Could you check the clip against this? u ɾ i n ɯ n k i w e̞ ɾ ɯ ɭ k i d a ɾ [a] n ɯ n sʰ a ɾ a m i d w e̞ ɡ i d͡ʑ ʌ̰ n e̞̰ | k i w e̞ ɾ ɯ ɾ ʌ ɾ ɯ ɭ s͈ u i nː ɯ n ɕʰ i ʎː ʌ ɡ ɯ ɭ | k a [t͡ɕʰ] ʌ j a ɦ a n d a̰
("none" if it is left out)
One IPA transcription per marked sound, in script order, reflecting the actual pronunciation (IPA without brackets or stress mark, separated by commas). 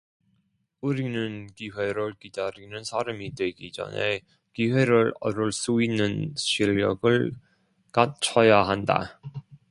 i, t͡ɕʰ